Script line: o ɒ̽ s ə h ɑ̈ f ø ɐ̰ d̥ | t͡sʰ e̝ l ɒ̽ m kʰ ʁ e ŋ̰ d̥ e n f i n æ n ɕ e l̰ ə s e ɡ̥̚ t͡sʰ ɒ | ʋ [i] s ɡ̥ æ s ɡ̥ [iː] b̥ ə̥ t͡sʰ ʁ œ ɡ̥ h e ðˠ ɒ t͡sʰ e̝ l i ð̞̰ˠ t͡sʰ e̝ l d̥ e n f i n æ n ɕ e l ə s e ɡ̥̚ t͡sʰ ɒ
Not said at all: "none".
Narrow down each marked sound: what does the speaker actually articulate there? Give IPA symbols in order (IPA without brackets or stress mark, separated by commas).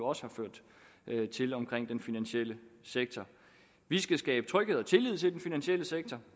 i, ɛː